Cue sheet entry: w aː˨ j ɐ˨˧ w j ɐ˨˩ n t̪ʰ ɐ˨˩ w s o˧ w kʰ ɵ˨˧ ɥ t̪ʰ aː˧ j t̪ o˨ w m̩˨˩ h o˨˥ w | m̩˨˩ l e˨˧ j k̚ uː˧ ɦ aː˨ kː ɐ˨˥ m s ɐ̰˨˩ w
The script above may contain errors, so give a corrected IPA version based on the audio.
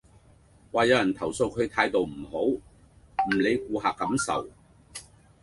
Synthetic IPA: w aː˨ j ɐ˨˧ w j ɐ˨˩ n t̪ʰ ɐ˨˩ w s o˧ w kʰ ɵ˨˧ ɥ t̪ʰ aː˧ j t̪ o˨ w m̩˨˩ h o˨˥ w | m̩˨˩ l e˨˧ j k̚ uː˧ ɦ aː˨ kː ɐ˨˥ m s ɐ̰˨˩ w